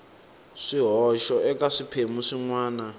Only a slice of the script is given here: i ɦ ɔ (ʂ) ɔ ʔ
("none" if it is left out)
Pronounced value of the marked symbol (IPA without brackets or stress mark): ʃ